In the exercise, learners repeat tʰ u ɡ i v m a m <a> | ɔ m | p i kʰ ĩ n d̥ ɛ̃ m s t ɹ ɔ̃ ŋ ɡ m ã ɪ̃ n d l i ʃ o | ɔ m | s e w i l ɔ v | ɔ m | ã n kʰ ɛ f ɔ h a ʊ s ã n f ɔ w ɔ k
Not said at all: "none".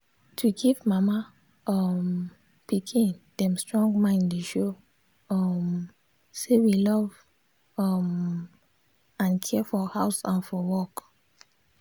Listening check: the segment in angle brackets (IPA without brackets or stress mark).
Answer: a